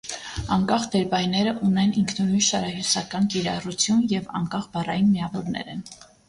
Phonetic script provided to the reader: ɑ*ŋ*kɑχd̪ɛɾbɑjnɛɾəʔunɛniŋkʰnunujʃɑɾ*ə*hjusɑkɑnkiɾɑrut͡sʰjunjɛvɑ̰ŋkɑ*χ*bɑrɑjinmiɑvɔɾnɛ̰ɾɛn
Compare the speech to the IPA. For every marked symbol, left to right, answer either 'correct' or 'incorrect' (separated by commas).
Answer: correct, incorrect, correct